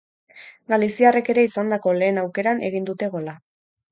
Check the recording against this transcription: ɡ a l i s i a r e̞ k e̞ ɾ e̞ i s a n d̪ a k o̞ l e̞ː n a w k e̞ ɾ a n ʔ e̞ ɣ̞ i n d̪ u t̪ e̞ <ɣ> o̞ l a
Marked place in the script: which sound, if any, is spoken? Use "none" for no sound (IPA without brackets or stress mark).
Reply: ɣ